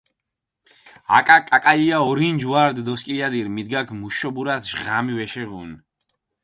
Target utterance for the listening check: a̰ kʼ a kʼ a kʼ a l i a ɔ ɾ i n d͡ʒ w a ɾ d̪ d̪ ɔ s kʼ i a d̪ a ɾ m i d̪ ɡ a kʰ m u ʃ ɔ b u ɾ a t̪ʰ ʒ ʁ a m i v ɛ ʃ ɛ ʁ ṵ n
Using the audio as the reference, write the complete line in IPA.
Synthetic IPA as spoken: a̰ kʼ a kʼ a kʼ a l i a ɔ ɾ i n d͡ʒ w a ɾ d̪ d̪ ɔ s kʼ i a d̪ i ɾ m i d̪ ɡ a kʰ m u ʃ ɔ b u ɾ a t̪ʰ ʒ ʁ a m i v ɛ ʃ ɛ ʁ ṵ n